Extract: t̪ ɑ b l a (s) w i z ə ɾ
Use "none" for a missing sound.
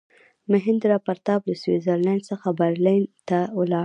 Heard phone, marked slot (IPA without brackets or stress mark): s